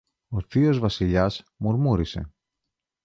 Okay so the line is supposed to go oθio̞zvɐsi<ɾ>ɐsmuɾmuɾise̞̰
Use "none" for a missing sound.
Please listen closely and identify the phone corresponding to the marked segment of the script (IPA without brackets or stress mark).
ʎ